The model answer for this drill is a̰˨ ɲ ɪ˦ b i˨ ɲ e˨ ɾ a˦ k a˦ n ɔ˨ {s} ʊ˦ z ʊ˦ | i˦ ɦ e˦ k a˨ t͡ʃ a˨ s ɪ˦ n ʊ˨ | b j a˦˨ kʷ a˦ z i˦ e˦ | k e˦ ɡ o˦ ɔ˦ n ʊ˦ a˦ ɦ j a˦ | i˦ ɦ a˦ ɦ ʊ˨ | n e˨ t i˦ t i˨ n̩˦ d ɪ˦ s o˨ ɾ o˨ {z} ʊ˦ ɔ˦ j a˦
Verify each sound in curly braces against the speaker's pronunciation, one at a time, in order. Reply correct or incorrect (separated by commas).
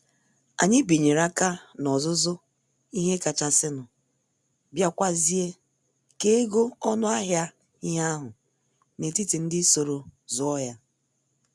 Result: incorrect, correct